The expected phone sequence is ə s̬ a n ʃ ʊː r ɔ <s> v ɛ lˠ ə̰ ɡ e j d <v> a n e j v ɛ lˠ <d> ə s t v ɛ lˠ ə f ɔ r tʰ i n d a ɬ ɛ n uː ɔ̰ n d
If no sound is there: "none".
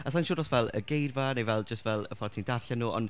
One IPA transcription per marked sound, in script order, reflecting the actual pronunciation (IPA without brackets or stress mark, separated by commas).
s, v, d͡ʒ